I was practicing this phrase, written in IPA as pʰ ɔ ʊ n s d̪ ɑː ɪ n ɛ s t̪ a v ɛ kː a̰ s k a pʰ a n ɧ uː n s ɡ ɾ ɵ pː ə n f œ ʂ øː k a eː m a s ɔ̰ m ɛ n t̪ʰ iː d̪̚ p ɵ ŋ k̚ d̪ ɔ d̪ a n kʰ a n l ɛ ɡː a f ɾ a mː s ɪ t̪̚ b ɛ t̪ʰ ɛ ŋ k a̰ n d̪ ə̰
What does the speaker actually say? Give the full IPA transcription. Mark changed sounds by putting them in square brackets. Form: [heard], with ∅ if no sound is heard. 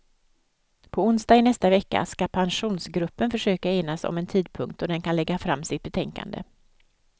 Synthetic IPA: pʰ ɔ ʊ n s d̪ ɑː ɪ n ɛ s t̪ a v ɛ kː a̰ s k a pʰ a n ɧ uː n s ɡ ɾ ɵ pː ə n f œ ʂ øː k a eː [n] a s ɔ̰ m ɛ n t̪ʰ iː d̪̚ [pʰ] ɵ ŋ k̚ [t̪] ɔ d̪ [ɛ] n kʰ a n l ɛ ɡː a f ɾ a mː s ɪ t̪̚ b ɛ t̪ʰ ɛ ŋ k a̰ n d̪ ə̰